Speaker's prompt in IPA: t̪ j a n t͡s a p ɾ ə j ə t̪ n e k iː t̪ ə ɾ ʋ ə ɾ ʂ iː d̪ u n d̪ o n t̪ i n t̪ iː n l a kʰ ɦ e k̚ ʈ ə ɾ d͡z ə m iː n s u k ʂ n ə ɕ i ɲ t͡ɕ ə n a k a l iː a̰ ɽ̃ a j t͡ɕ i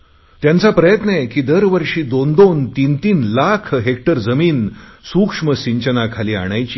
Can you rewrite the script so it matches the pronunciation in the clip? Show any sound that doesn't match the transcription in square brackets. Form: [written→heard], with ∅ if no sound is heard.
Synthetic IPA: t̪ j a n t͡s a p ɾ ə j ə t̪ n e k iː [t̪→d̪] ə ɾ ʋ ə ɾ ʂ iː d̪ [u→o] n d̪ o n t̪ i n t̪ iː n l a kʰ ɦ e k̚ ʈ ə ɾ d͡z ə m iː n s u k ʂ [n→m] ə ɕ i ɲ t͡ɕ ə n a [k→kʰ] a l iː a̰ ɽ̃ a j t͡ɕ i